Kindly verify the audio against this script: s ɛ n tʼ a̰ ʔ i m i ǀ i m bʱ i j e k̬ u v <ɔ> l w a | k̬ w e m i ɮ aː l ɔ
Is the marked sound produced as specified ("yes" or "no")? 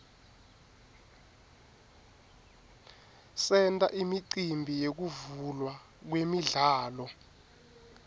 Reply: no